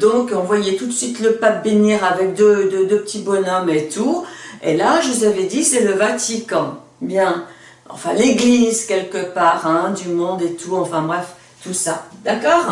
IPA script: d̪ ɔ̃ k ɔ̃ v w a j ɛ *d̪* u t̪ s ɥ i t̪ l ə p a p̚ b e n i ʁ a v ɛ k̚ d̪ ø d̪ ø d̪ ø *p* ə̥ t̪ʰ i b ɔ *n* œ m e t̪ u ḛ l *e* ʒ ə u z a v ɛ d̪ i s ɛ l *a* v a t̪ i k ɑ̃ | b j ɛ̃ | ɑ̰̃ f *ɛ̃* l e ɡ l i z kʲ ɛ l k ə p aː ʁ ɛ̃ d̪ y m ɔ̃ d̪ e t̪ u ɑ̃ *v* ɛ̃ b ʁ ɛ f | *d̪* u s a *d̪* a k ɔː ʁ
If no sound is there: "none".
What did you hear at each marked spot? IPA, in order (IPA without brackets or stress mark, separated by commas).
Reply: t̪, p, n, a, ə, ɛ̃, f, t̪, d̪